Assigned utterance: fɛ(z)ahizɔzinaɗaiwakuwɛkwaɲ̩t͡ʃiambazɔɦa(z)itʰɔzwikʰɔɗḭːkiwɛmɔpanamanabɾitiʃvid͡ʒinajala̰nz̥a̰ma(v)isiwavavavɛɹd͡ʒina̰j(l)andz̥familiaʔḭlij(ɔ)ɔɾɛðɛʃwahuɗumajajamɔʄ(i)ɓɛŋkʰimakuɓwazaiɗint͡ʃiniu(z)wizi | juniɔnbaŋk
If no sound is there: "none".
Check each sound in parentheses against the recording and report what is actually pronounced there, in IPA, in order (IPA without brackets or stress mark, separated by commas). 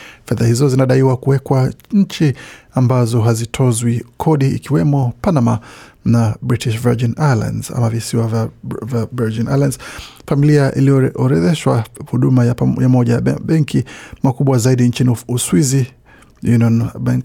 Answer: ð, z, v, l, ɔ, a, s